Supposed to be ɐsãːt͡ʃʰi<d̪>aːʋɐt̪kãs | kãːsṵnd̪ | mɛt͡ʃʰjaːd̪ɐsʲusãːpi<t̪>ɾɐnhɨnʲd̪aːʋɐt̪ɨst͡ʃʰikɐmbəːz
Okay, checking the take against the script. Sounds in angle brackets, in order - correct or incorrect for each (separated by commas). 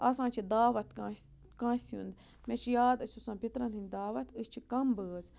correct, correct